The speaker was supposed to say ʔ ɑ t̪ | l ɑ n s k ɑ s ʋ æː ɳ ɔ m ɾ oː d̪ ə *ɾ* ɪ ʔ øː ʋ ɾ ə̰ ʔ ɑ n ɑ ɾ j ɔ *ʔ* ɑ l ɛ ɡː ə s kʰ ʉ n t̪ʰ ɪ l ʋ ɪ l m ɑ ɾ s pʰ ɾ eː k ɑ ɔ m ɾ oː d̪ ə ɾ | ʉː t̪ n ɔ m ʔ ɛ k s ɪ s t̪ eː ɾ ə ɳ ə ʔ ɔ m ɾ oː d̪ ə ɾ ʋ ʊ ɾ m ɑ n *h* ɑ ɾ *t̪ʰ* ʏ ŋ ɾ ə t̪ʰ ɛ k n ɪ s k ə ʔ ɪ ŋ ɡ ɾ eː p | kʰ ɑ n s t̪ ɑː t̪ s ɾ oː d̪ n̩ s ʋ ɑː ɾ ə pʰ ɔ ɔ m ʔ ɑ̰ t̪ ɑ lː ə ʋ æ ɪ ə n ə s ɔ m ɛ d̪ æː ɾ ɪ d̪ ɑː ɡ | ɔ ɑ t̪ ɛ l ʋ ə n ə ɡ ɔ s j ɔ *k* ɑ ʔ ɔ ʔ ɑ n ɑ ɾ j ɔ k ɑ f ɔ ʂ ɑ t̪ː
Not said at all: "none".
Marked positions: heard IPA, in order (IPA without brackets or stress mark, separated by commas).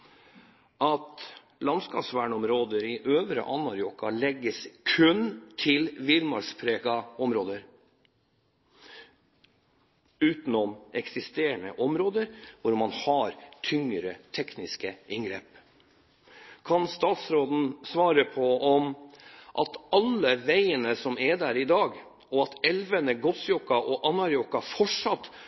ɾ, k, h, t̪ʰ, k